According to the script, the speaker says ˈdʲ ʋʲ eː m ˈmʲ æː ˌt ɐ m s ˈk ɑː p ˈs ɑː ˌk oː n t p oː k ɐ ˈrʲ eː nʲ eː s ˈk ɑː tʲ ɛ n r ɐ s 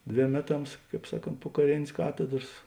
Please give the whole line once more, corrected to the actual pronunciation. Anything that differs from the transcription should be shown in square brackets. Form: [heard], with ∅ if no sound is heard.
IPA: ˈdʲ ʋʲ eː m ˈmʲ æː ˌt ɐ m s ˈk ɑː p ˈs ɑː ˌk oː n t p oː k ɐ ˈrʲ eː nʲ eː s ˈk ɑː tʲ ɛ [d] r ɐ s